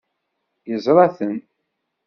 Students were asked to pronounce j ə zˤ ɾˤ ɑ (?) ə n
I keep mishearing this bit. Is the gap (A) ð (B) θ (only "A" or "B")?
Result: B